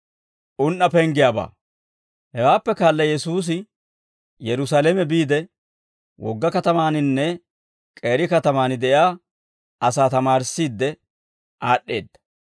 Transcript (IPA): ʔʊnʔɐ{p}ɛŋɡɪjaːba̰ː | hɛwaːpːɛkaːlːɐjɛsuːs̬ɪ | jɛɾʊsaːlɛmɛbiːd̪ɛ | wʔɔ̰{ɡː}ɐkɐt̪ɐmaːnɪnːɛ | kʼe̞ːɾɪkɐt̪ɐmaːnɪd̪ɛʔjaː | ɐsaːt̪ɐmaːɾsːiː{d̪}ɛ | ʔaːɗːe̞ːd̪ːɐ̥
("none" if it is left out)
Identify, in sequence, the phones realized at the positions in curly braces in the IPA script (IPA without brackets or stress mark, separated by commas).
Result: p, ɡː, d̪ː